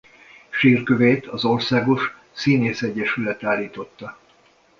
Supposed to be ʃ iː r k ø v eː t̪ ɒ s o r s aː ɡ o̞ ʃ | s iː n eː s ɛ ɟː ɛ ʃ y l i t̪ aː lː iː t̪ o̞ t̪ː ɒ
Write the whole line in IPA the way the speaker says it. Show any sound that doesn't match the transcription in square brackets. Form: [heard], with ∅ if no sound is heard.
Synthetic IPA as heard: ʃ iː r k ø v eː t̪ ɒ [z] o r s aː ɡ o̞ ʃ | s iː n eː s ɛ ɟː ɛ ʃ y l [ɛ] t̪ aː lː iː t̪ o̞ t̪ː ɒ